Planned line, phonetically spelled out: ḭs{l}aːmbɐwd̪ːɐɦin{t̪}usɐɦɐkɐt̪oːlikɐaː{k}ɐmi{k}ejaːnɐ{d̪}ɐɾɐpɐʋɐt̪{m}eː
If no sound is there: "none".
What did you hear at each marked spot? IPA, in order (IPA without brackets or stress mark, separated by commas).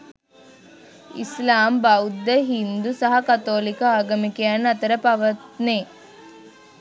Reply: l, d̪, ɡ, k, t̪, n